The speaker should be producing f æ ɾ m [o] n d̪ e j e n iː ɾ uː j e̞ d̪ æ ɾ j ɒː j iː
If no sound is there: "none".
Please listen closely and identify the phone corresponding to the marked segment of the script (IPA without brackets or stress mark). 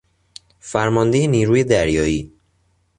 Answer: ɒ